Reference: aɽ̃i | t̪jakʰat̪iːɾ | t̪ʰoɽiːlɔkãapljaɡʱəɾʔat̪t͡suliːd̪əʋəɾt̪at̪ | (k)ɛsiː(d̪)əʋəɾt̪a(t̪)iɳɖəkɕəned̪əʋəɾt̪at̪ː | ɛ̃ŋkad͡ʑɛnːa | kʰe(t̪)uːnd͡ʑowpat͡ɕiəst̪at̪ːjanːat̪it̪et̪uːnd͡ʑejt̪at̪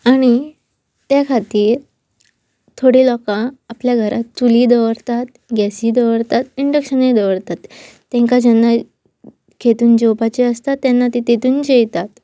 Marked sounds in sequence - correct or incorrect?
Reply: incorrect, correct, correct, correct

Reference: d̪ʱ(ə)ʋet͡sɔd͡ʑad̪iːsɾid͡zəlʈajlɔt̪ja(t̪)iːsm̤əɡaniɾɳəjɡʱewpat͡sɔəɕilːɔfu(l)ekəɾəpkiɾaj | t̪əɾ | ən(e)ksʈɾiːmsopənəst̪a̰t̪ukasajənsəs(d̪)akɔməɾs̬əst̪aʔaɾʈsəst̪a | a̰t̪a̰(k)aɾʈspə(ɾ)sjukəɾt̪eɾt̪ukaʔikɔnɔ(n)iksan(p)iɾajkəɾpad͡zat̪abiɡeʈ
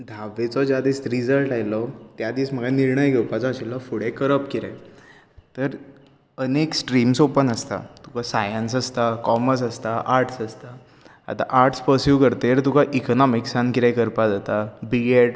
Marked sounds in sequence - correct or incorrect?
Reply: incorrect, incorrect, incorrect, correct, incorrect, incorrect, correct, incorrect, incorrect

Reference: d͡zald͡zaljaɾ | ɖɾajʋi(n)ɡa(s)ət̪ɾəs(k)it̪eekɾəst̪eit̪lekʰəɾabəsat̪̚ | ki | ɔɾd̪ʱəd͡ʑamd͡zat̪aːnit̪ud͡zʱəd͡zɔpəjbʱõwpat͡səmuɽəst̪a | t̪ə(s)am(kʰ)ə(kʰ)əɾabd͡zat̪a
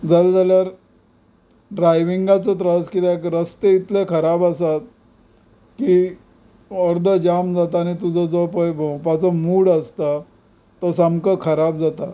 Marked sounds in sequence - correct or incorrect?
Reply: incorrect, incorrect, correct, correct, incorrect, correct

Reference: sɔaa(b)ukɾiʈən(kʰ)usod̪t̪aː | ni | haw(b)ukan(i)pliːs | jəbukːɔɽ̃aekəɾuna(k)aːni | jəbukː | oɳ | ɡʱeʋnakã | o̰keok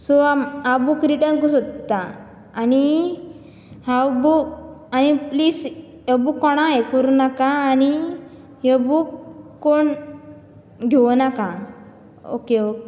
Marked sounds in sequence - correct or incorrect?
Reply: correct, incorrect, correct, correct, correct

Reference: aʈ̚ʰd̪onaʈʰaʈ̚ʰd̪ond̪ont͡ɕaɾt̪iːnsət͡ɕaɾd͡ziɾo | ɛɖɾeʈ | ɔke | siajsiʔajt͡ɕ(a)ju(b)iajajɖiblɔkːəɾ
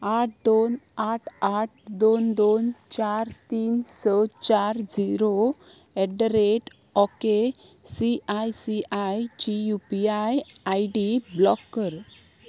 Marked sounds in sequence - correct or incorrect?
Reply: incorrect, incorrect

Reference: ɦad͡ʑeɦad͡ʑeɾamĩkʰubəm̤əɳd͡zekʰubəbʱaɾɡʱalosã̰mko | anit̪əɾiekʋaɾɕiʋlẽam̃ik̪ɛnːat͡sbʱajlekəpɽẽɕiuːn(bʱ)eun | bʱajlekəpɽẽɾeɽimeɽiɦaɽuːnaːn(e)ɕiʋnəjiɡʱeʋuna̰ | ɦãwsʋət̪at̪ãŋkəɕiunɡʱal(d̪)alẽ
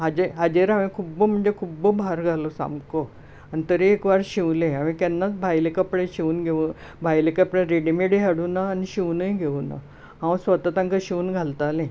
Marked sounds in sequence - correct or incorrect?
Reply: incorrect, incorrect, incorrect

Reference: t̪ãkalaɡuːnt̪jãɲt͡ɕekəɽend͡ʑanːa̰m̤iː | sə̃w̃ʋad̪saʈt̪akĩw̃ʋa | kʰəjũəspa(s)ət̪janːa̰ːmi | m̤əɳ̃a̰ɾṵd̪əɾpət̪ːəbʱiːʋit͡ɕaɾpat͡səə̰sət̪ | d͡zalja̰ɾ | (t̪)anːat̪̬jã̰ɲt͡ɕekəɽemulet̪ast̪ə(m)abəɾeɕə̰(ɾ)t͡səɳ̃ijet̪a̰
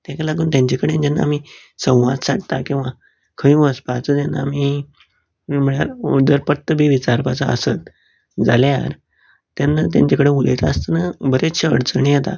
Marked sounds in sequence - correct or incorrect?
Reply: incorrect, correct, incorrect, incorrect

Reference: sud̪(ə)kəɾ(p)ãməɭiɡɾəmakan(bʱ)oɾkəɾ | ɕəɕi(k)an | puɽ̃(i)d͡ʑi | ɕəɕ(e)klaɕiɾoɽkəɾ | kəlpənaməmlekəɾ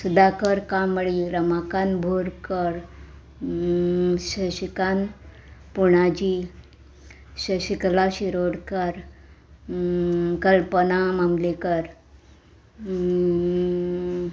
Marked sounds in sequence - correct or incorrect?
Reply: incorrect, incorrect, correct, correct, incorrect, incorrect

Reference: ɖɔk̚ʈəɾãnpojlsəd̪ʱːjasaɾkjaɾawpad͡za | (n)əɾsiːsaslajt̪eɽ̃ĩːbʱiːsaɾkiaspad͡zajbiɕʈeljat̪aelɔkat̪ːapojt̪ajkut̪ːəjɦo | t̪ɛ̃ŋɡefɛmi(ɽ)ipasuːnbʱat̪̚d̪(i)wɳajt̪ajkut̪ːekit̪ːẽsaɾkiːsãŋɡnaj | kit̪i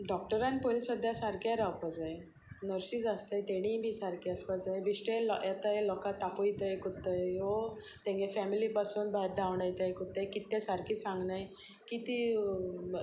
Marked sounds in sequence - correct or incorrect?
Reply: correct, incorrect, incorrect

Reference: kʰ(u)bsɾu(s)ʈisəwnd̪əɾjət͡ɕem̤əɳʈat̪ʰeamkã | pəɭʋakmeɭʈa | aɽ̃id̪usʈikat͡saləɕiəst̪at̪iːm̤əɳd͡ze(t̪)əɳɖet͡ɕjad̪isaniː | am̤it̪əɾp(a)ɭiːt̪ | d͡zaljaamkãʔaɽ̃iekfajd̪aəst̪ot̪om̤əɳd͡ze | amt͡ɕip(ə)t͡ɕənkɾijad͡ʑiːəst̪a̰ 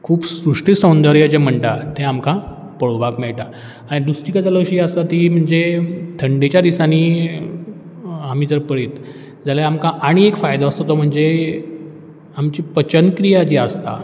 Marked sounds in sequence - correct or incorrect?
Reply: incorrect, incorrect, incorrect, incorrect, correct

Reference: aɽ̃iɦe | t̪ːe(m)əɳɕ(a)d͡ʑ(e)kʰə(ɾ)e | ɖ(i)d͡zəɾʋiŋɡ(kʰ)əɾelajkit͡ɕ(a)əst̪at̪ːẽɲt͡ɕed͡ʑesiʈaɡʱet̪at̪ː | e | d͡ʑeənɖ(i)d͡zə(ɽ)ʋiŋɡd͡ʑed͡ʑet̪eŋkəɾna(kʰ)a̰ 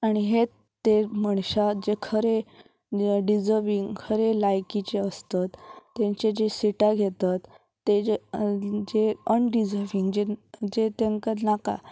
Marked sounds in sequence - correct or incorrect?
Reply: correct, correct, correct, correct, correct, correct, incorrect, correct, incorrect, incorrect

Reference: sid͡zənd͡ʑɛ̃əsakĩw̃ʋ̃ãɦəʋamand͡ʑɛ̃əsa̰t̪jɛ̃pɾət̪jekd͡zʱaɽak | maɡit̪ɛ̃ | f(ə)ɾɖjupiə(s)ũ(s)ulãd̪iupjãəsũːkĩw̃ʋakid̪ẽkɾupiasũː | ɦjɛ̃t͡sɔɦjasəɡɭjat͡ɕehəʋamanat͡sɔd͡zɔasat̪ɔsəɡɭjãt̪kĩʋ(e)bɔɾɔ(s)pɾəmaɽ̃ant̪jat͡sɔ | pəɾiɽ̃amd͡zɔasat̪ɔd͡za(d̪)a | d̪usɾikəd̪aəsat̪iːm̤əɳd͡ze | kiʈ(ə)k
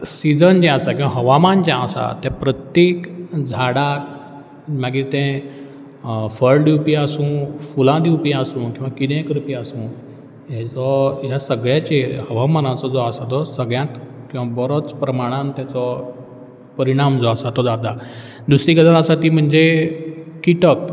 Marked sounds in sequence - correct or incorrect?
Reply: correct, correct, incorrect, incorrect, incorrect, correct, correct

